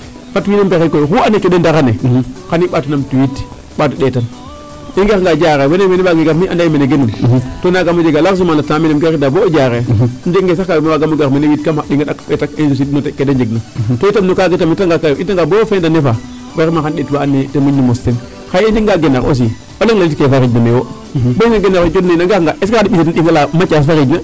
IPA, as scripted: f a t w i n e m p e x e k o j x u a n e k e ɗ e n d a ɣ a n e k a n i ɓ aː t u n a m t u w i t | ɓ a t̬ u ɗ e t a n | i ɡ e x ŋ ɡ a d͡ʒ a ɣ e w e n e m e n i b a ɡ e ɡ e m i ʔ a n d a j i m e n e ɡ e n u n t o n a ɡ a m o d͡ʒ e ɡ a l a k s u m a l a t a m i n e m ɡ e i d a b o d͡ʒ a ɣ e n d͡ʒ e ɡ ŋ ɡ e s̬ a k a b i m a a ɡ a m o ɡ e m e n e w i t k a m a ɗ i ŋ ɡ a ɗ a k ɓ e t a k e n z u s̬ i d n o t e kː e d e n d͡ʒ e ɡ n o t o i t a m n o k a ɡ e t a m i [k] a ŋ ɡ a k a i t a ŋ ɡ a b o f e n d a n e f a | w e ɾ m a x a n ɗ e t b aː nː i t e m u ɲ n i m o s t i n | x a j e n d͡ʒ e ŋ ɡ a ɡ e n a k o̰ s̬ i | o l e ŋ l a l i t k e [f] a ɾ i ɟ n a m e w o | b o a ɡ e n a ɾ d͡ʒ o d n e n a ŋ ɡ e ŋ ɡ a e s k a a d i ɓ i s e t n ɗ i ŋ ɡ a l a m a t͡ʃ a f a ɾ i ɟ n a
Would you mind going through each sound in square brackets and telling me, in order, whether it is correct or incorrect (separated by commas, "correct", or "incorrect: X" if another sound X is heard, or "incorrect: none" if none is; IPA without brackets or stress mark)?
incorrect: t, correct